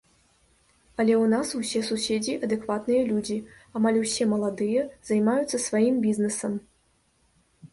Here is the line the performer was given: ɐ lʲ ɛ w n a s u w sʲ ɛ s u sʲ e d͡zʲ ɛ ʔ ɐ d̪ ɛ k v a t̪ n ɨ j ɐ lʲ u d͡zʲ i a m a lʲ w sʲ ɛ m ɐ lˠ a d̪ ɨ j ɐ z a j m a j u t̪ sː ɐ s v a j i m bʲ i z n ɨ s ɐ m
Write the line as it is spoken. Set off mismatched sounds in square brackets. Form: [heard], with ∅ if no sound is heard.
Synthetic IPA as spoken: ɐ lʲ ɛ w n a s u w sʲ ɛ s u sʲ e d͡zʲ [i] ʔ ɐ d̪ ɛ k v a t̪ n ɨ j ɐ lʲ u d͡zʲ i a m a lʲ w sʲ ɛ m ɐ lˠ a d̪ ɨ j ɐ z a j m a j u t̪ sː ɐ s v a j i m bʲ i z n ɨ s ɐ m